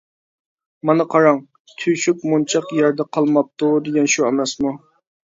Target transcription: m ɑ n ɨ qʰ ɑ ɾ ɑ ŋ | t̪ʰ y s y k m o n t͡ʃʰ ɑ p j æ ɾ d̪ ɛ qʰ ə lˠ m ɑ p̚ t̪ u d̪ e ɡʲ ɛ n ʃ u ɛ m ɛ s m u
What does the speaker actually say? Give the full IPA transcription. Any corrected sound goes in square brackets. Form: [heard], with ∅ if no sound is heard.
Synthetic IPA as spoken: m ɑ n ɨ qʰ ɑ ɾ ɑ ŋ | t̪ʰ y [ʃ] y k m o n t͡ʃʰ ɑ [q] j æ ɾ d̪ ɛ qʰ [ɑ] lˠ m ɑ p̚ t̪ u d̪ e ɡʲ ɛ n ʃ u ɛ m ɛ s m u

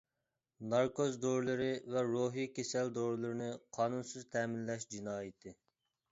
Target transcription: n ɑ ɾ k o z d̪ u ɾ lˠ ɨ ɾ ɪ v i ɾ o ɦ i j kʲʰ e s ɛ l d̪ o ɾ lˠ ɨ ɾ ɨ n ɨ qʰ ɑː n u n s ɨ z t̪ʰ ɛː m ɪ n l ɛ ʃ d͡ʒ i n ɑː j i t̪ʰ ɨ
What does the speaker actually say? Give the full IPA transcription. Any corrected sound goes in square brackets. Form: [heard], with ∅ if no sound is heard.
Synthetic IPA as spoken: n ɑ ɾ k o z d̪ [o] ɾ lˠ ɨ ɾ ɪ v [ɛ] ɾ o ɦ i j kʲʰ e s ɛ l d̪ o ɾ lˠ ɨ ɾ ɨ n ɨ qʰ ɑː n u n s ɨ z t̪ʰ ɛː m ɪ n l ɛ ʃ d͡ʒ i n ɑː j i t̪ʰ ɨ

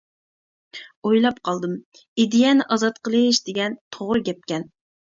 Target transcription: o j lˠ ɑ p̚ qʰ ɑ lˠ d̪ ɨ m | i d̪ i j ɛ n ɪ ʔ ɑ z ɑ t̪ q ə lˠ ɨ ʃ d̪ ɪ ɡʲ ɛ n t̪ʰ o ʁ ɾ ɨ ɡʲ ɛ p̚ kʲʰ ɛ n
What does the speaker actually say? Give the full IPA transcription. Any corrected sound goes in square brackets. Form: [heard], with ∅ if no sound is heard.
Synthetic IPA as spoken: o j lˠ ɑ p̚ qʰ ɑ lˠ d̪ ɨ m | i d̪ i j ɛ n ɪ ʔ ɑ z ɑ t̪ q ə lˠ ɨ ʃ d̪ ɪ ɡʲ ɛ n t̪ʰ o ʁ ɾ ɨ ɡʲ ɛ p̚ [kʲ] ɛ n

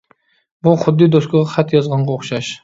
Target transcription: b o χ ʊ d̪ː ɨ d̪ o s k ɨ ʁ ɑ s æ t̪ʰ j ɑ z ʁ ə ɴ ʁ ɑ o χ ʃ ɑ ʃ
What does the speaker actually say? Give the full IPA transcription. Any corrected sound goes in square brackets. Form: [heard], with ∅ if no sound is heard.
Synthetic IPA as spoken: b [u] χ ʊ d̪ː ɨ d̪ o s k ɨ ʁ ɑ [χ] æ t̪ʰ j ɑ z ʁ [ɑ] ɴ ʁ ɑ o χ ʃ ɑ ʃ

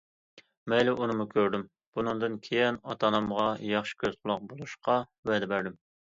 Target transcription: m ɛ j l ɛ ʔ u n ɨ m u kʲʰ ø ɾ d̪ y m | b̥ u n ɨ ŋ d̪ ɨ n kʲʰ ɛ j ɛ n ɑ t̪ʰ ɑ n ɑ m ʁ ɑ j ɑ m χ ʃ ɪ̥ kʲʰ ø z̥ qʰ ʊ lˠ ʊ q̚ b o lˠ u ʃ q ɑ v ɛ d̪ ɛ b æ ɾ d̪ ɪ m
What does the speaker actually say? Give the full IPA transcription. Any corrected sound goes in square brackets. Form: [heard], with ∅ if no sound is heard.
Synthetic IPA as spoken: m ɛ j l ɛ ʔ u n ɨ m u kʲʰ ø ɾ d̪ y m | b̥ u n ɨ ŋ d̪ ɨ n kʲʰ [e] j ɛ n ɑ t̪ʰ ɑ n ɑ m ʁ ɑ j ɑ [∅] χ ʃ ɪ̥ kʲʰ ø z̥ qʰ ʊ lˠ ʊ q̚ b o lˠ u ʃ q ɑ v ɛ d̪ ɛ b æ ɾ d̪ ɪ m

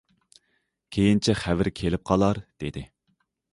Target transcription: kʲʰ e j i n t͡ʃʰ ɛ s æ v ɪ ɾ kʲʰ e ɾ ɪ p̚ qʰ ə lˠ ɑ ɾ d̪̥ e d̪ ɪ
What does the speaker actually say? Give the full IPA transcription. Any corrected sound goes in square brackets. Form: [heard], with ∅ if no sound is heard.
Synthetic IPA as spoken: kʲʰ e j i n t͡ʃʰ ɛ [χ] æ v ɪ ɾ kʲʰ e [l] ɪ p̚ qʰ [ɑ] lˠ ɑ ɾ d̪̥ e d̪ ɪ

